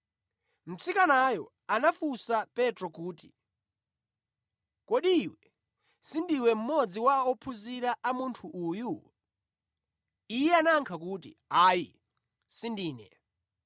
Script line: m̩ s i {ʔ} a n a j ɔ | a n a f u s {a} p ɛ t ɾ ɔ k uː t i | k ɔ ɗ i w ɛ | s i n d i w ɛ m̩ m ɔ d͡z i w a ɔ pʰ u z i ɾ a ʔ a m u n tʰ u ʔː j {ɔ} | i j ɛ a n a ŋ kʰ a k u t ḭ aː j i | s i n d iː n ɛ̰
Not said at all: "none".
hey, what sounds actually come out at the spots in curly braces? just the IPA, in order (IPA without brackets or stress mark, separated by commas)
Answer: k, a, u